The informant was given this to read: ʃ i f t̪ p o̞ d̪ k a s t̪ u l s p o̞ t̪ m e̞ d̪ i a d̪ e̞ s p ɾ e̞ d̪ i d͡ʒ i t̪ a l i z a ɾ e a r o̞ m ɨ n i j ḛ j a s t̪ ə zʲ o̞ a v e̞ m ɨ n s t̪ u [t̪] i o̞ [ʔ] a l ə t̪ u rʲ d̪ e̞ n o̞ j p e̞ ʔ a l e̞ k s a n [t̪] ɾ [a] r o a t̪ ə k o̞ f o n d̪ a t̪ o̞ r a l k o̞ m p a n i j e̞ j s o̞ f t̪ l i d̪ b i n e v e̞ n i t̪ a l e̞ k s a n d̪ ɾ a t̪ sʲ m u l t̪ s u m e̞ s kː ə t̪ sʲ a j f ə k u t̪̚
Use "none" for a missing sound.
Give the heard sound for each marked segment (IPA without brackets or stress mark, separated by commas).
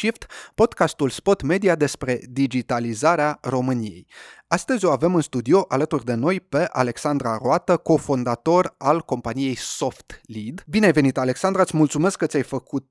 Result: d̪, ʔ, d̪, a